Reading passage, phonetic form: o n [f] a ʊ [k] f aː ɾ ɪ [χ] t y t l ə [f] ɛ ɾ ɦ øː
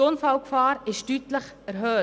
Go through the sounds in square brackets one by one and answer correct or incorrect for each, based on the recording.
correct, correct, incorrect, incorrect

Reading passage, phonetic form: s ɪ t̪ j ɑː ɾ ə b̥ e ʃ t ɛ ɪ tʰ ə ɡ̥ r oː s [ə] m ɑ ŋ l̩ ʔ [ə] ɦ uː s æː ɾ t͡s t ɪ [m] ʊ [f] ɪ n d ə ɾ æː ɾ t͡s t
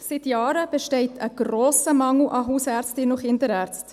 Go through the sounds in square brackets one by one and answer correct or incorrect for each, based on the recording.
correct, incorrect, incorrect, incorrect

